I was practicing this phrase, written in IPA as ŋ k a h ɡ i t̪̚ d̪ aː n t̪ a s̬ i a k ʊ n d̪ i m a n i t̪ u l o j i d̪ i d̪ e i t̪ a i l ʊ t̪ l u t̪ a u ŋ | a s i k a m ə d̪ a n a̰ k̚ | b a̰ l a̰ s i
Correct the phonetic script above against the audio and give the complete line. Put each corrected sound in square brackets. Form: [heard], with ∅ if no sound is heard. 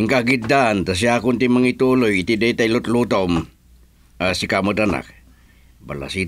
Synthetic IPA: ŋ k a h ɡ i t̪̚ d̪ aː n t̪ a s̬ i a k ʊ n [t̪] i m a [ŋ] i t̪ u l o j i [t̪] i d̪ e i t̪ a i l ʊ t̪ l u t̪ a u [m] | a s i k a m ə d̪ a n a̰ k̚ | b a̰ l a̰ s i

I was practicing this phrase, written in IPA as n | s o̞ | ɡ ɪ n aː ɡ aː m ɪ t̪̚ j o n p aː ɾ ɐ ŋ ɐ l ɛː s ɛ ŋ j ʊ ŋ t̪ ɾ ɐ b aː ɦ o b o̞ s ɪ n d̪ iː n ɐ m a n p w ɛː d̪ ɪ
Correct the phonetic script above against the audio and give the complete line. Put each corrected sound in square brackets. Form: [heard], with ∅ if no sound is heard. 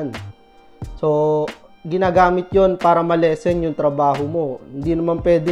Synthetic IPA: n | s o̞ | ɡ ɪ n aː ɡ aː m ɪ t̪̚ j o n p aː ɾ ɐ [m] ɐ l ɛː s ɛ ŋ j ʊ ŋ t̪ ɾ ɐ b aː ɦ o [m] o̞ [h] ɪ n d̪ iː n ɐ m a n p w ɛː d̪ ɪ

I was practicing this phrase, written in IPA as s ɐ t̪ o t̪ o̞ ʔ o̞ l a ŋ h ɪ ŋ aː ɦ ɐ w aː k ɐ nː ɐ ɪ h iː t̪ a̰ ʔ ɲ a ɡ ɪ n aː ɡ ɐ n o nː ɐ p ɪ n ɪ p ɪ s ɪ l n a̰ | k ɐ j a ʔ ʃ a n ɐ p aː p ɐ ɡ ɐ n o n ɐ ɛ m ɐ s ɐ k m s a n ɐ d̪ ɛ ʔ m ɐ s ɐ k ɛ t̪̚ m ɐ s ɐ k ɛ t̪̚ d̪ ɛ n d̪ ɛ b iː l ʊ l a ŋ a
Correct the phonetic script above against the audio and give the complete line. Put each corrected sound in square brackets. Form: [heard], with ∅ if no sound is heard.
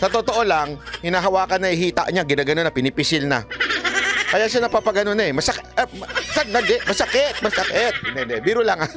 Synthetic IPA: s ɐ t̪ o t̪ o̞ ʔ o̞ l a ŋ h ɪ [n] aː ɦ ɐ w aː k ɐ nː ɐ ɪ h iː t̪ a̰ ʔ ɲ a ɡ ɪ n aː ɡ ɐ n o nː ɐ p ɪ n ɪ p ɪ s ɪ l n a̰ | k ɐ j a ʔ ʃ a n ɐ p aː p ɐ ɡ ɐ n o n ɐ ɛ m ɐ s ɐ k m s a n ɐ d̪ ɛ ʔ m ɐ s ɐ k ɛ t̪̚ m ɐ s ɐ k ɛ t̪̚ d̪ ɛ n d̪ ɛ b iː [ɾ] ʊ l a ŋ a

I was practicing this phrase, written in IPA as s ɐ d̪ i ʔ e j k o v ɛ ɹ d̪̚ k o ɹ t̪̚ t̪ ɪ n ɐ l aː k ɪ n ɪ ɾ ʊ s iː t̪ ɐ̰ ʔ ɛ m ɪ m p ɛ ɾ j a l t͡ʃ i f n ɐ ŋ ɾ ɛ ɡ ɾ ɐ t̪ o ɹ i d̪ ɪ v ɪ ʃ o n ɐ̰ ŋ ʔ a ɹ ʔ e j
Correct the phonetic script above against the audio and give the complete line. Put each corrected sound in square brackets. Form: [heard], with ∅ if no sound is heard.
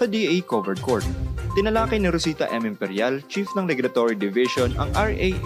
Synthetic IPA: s ɐ d̪ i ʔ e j k o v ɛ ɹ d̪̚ k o ɹ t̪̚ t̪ ɪ n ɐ l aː k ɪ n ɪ ɾ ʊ s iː t̪ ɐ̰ ʔ ɛ m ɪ m p ɛ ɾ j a l t͡ʃ i f n ɐ ŋ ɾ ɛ ɡ ɾ ɐ t̪ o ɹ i d̪ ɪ v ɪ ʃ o n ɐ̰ ŋ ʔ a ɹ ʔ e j

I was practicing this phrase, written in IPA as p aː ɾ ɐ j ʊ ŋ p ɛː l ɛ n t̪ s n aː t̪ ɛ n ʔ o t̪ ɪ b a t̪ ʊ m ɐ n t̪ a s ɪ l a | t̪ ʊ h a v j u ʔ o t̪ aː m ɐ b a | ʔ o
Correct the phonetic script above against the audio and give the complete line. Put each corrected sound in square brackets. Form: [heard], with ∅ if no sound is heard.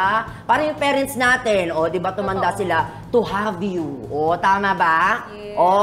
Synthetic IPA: p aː ɾ ɐ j ʊ ŋ p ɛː [ɾ] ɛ n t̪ s n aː t̪ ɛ n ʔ o [d̪] ɪ b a t̪ ʊ m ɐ n [d̪] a s ɪ l a | t̪ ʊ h a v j u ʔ o t̪ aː m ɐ b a | ʔ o

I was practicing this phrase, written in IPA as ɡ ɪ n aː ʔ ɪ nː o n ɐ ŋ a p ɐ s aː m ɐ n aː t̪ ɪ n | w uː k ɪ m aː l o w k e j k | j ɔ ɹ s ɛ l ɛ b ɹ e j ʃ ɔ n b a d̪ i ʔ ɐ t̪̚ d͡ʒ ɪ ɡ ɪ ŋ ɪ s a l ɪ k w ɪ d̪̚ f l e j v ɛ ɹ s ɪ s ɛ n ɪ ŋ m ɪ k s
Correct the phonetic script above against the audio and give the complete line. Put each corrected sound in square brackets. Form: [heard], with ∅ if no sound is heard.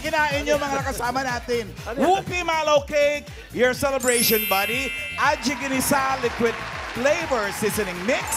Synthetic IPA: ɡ ɪ n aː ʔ ɪ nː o [m] ɐ ŋ a [k] ɐ s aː m ɐ n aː t̪ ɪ n | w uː k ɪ m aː l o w k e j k | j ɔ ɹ s ɛ l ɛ b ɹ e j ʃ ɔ n b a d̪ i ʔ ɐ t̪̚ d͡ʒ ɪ ɡ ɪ [n] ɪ s a l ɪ k w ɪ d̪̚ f l e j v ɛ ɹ s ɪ s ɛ n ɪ ŋ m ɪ k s

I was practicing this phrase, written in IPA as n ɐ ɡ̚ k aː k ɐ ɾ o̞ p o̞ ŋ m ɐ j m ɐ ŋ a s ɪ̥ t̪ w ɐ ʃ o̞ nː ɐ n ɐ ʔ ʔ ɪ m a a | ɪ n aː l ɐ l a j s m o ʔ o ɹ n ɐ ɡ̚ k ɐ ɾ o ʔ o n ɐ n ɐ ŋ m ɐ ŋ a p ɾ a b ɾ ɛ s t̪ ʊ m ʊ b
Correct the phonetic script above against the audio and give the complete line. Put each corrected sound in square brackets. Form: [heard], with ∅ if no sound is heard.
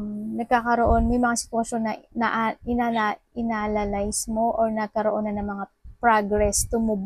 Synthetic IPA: n ɐ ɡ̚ k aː k ɐ ɾ o̞ [ʔ] o̞ [n] m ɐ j m ɐ ŋ a s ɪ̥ t̪ w ɐ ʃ o̞ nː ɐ n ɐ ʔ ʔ ɪ [n] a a | ɪ n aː l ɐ l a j s m o ʔ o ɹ n ɐ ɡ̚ k ɐ ɾ o ʔ o n ɐ n ɐ ŋ m ɐ ŋ a p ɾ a [ɡ] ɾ ɛ s t̪ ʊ m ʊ b

